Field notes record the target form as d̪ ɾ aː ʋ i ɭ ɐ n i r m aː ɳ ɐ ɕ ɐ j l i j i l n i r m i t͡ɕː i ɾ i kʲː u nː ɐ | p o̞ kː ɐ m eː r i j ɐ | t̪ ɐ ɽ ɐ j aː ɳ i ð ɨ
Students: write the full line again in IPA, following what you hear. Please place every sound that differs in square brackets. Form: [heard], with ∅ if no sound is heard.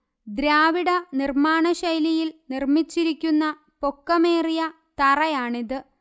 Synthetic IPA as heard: d̪ ɾ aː ʋ i [ɽ] ɐ n i r m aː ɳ ɐ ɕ ɐ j l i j i l n i r m i t͡ɕː i ɾ i kʲː u nː ɐ | p o̞ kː ɐ m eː r i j ɐ | t̪ ɐ [r] ɐ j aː ɳ i ð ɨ